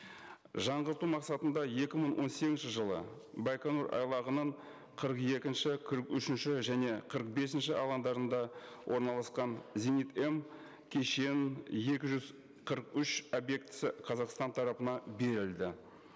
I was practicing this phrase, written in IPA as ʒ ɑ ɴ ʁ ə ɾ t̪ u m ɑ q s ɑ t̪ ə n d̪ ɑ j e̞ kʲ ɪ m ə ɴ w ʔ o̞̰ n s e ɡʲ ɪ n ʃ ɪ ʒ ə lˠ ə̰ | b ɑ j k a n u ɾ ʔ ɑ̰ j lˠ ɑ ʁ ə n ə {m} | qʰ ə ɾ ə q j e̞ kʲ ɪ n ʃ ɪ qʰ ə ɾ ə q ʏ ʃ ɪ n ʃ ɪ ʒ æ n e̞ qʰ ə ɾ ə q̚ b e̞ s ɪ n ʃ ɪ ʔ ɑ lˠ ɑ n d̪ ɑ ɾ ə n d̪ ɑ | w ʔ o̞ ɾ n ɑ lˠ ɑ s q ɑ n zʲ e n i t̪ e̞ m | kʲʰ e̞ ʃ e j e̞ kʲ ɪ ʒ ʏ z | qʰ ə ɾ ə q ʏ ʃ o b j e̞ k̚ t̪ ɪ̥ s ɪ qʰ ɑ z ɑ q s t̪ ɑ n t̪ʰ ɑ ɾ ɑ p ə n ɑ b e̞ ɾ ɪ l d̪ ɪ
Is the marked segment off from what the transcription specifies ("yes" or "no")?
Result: yes